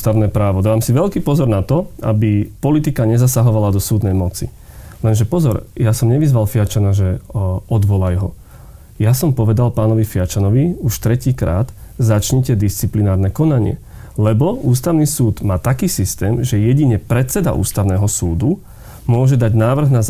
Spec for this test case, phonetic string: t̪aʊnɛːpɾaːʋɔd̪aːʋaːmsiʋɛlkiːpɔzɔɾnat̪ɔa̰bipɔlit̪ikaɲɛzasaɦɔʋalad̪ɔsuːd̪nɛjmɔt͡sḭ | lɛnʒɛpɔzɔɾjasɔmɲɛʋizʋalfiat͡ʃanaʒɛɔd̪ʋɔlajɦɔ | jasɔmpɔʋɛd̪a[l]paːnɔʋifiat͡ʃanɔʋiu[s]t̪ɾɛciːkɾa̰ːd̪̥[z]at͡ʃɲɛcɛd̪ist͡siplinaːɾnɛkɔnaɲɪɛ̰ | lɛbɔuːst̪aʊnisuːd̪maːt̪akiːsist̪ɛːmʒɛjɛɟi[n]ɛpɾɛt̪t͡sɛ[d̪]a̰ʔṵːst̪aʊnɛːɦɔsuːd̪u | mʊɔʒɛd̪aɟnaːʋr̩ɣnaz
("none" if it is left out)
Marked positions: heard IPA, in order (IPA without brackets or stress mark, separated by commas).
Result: l, ʃ, z, ɲ, d̪